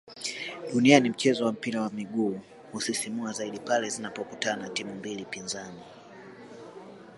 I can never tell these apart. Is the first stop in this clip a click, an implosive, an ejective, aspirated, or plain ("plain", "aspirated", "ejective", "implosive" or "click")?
implosive